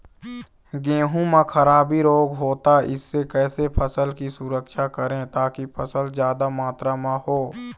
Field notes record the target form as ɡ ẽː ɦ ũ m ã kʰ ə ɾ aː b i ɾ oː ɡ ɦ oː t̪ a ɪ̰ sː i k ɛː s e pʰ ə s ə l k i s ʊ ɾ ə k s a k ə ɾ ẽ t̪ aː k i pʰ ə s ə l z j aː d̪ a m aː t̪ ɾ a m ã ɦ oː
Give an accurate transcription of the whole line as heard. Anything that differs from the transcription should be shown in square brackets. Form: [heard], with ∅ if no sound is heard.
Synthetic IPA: ɡ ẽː ɦ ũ m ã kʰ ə ɾ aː b i ɾ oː ɡ ɦ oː t̪ a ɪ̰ sː [e] k ɛː s e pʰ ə s ə l k i s ʊ ɾ ə k [ʃ] a k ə ɾ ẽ t̪ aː k i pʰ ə s ə l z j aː d̪ a m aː t̪ ɾ a m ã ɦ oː